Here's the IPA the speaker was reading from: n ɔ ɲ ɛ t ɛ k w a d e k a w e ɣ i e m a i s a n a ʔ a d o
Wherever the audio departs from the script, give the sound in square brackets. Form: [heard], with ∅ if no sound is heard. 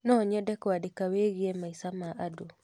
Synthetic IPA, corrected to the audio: n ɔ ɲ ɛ [d] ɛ k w a d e k a w e ɣ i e m a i s a [m] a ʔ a d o